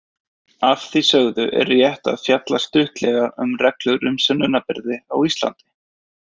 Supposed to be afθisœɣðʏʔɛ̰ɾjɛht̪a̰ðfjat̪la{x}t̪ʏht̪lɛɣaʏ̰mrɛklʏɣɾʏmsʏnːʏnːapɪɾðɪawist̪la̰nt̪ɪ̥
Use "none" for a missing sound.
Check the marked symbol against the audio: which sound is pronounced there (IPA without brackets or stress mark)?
s